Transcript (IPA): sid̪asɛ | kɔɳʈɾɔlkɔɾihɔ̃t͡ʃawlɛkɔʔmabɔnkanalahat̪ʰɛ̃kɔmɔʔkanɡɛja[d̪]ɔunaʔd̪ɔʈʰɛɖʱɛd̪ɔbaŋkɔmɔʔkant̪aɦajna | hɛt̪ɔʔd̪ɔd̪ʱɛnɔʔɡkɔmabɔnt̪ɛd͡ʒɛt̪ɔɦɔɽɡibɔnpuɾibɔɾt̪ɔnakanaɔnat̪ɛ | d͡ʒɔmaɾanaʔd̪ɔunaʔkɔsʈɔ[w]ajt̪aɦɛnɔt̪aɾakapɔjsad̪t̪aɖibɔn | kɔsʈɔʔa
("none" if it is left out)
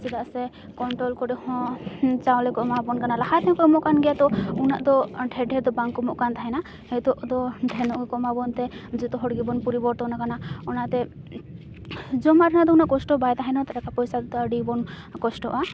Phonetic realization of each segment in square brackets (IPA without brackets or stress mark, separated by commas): t̪, b